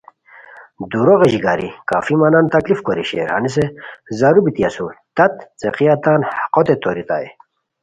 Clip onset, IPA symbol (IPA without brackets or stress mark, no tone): d̪